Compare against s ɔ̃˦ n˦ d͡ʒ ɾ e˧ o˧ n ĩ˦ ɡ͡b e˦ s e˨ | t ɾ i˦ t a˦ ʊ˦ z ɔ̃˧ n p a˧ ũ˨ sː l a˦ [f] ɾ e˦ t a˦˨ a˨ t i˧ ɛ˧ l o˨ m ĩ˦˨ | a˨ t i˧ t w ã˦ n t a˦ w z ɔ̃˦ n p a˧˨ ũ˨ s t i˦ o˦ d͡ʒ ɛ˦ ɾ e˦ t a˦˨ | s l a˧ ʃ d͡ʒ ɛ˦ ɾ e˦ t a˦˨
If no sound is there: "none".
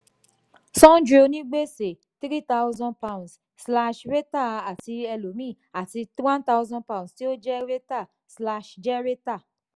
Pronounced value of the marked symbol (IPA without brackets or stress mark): ʃ